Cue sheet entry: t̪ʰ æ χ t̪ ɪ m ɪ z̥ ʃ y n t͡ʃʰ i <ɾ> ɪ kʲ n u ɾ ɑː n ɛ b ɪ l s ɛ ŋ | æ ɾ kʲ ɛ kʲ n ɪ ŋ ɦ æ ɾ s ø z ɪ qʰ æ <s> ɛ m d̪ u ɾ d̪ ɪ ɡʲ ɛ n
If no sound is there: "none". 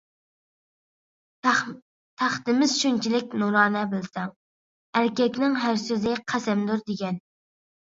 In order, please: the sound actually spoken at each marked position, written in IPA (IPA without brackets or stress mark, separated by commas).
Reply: l, s